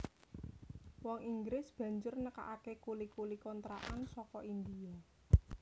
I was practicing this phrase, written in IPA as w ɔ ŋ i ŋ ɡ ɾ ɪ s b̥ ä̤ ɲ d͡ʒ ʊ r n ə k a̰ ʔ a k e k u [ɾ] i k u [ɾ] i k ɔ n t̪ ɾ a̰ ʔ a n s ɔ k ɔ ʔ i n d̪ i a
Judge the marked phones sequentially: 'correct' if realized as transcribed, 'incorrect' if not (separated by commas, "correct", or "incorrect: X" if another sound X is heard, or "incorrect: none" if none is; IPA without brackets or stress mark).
incorrect: l, incorrect: l